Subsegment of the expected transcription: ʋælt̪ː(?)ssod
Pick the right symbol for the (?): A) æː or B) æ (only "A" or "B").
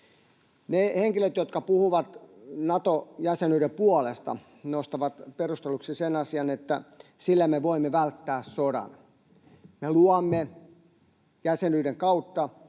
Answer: A